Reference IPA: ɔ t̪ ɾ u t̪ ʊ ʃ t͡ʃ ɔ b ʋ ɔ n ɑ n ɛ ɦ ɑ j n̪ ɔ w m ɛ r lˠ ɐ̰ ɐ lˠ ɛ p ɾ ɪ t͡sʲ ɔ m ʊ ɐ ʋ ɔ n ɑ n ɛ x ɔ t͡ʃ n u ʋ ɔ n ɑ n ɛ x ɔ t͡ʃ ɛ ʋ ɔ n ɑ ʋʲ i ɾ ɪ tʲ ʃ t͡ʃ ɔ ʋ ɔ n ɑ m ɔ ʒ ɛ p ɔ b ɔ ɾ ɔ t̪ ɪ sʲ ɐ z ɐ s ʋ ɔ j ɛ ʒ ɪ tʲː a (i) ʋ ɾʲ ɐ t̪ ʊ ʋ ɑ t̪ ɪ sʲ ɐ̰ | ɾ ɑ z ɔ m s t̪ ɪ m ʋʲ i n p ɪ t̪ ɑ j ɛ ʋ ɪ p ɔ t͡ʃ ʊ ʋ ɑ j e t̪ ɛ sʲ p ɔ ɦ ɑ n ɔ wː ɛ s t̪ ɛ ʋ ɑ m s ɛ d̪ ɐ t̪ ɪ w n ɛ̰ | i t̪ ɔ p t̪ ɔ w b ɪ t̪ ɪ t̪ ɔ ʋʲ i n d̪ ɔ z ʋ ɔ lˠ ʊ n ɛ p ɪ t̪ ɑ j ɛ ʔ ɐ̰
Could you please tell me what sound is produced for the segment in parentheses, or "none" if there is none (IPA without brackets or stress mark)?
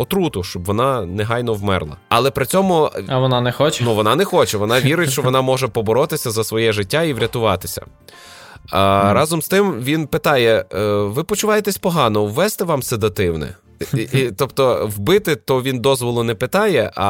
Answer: i